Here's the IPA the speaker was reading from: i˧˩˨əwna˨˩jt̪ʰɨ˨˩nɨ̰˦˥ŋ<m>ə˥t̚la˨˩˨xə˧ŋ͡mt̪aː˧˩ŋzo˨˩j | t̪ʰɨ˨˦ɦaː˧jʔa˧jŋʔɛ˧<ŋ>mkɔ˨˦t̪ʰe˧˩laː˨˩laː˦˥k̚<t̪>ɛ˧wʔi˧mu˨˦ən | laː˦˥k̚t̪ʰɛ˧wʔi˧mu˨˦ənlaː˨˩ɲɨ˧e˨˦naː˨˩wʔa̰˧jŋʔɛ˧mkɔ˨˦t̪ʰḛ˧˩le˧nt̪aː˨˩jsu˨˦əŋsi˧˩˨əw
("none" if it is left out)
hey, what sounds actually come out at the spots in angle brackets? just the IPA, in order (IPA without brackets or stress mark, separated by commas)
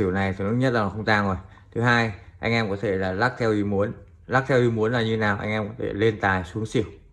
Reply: ɲ, none, t̪ʰ